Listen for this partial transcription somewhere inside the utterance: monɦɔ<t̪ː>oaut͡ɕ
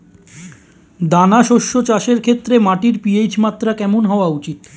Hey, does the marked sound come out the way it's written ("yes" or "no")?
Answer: no